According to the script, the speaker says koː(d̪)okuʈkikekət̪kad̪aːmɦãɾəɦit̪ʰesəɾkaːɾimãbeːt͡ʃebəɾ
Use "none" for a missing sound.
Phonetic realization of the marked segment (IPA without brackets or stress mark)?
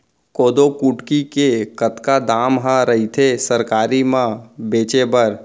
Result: d̪